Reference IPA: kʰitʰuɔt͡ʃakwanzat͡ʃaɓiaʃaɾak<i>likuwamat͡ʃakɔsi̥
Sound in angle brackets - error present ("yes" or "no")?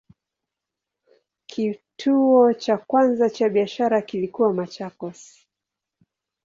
no